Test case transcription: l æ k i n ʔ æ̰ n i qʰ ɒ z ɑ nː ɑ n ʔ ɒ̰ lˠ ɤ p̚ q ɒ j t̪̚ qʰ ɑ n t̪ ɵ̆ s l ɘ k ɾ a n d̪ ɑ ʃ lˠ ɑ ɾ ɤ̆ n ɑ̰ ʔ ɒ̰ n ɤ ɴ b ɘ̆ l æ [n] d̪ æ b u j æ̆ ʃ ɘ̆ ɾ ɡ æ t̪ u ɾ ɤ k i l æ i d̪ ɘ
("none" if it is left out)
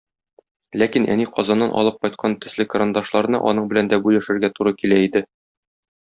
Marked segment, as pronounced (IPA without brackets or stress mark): n